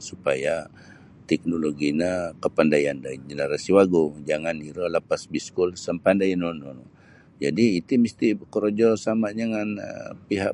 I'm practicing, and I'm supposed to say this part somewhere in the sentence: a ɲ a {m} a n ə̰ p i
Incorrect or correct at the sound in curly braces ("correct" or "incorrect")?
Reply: incorrect